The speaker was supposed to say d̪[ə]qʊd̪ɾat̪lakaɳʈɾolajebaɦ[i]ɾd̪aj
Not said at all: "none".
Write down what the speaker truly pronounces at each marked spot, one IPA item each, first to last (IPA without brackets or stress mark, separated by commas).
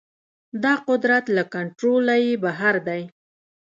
ɑ, a